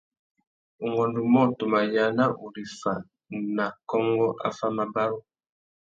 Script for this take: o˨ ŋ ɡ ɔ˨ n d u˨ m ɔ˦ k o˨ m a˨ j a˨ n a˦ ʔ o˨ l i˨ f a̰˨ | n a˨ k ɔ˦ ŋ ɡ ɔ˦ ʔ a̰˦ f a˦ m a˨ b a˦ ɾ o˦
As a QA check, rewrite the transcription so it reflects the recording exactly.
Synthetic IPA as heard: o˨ ŋ ɡ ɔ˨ n d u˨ m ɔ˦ t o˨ m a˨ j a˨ n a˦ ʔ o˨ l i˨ f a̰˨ | n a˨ k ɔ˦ ŋ ɡ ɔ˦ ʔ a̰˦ f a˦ m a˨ b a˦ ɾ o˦